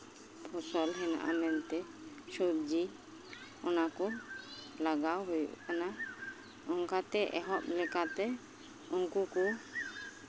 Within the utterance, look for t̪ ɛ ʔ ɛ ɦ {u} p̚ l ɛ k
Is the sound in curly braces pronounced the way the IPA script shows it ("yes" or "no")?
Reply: no